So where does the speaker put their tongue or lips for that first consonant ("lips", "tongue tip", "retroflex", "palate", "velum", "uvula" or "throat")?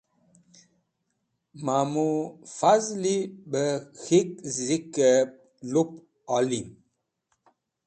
lips